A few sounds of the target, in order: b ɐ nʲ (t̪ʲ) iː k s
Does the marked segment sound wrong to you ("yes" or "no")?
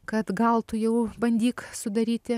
yes